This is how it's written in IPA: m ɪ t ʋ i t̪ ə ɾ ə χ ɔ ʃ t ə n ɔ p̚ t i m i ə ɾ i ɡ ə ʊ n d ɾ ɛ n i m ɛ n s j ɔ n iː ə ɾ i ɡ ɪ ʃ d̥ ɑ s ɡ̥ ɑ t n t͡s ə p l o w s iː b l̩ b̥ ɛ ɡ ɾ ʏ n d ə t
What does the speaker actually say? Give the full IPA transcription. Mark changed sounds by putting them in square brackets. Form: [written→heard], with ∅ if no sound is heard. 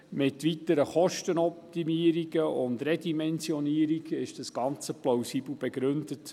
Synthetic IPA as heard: m ɪ t ʋ i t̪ ə ɾ ə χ ɔ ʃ t ə n ɔ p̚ t i m i ə ɾ i ɡ ə ʊ n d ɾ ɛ [n→d] i m ɛ n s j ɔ n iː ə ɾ i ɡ ɪ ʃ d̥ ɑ s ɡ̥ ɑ [t→∅] n t͡s ə p l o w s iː b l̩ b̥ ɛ ɡ ɾ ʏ n d ə t